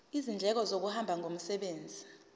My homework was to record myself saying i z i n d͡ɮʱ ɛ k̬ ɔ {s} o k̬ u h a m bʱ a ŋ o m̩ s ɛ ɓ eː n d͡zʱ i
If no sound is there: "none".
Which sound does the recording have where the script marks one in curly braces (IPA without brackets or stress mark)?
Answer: z